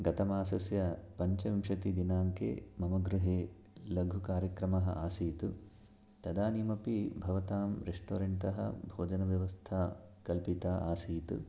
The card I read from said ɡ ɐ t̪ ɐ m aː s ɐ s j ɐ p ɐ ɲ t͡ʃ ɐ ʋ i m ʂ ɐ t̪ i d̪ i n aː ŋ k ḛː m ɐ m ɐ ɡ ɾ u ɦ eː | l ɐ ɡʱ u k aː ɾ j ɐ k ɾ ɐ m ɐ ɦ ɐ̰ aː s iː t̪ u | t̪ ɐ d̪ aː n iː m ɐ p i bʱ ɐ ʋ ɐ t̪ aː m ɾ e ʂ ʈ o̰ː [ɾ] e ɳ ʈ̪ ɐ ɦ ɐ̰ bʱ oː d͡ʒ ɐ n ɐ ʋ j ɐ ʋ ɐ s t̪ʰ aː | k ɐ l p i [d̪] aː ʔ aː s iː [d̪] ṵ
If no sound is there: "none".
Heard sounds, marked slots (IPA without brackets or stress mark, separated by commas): ɾ, t̪, t̪